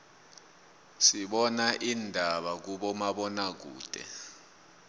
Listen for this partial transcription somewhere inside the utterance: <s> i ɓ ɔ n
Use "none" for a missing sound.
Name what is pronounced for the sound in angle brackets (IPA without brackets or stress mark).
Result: s